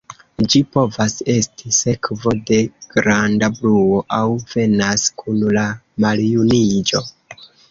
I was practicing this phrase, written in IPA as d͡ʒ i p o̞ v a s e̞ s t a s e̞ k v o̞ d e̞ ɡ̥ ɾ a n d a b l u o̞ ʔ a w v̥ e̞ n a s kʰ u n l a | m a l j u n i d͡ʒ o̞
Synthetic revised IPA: d͡ʒ i p o̞ v a s e̞ s t i s e̞ k v o̞ d e̞ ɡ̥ ɾ a n d a b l u o̞ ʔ a w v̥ e̞ n a s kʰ u n l a | m a l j u n i d͡ʒ o̞